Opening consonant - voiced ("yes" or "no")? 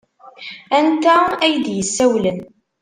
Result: yes